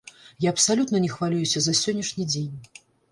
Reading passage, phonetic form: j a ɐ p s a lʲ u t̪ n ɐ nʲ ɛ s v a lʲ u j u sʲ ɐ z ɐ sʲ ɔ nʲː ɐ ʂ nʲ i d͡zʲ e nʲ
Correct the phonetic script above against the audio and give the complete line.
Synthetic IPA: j a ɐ p s a lʲ u t̪ n ɐ nʲ ɛ x v a lʲ u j u sʲ ɐ z ɐ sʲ ɔ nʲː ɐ ʂ nʲ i d͡zʲ e nʲ

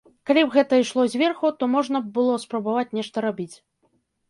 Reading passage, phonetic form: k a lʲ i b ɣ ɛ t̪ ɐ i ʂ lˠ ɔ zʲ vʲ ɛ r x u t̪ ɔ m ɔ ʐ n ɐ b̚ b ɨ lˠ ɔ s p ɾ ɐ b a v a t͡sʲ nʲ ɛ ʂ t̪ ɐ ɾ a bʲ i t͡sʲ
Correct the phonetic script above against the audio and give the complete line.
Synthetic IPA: k a lʲ i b ɣ ɛ t̪ ɐ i ʂ lˠ ɔ zʲ vʲ ɛ r x u t̪ ɔ m ɔ ʐ n ɐ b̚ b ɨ lˠ ɔ s p ɾ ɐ b a v a t͡sʲ nʲ ɛ ʂ t̪ ɐ ɾ a bʲ i t͡sʲ

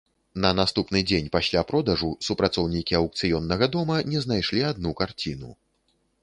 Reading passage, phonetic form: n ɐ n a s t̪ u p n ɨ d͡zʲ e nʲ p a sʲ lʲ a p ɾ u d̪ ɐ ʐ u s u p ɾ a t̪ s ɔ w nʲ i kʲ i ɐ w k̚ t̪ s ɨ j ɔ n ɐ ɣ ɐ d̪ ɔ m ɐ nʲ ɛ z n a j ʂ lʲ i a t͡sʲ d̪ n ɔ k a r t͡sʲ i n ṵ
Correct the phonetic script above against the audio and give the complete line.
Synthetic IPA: n ɐ n a s t̪ u p n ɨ d͡zʲ e nʲ p a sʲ lʲ a p ɾ ɔ d̪ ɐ ʐ u s u p ɾ a t̪ s ɔ w nʲ i kʲ i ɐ w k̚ t̪ s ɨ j ɔ nː ɐ ɣ ɐ d̪ ɔ m ɐ nʲ ɛ z n a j ʂ lʲ i a d̪ n u k a r t͡sʲ i n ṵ

